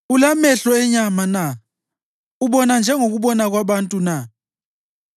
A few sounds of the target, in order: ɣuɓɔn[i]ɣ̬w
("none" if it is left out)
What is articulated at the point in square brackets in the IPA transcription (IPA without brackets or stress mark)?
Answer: a